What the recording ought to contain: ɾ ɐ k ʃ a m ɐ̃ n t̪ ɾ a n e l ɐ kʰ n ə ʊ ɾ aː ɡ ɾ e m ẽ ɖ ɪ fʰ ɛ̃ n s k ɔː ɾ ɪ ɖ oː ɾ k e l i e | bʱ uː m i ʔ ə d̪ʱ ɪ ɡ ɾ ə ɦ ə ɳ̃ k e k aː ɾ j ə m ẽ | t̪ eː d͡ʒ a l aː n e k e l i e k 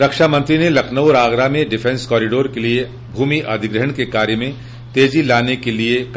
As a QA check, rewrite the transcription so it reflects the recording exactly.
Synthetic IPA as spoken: ɾ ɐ k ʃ a m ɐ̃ n t̪ ɾ i n e l ɐ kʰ n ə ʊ ɾ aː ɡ ɾ a m ẽ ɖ ɪ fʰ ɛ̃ n s k ɔː ɾ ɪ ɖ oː ɾ k e l i e | bʱ uː m i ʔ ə d̪ʱ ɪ ɡ ɾ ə ɦ ə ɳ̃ k e k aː ɾ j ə m ẽ | t̪ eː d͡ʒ i l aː n e k e l i e k